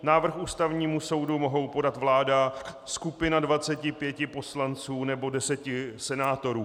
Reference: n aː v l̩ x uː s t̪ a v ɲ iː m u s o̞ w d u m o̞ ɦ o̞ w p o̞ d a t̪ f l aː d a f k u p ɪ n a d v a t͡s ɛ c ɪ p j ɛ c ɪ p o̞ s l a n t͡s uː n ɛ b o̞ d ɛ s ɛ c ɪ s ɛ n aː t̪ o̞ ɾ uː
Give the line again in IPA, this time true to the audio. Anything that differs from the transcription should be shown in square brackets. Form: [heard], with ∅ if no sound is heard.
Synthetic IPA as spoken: n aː v [r̩] x uː s t̪ a v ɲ iː m u s o̞ w d u m o̞ ɦ o̞ w p o̞ d a t̪ [v] l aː d a [s] k u p ɪ n a d v a t͡s ɛ c ɪ p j ɛ c ɪ p o̞ s l a n t͡s uː n ɛ b o̞ d ɛ s ɛ c ɪ s ɛ n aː t̪ o̞ ɾ uː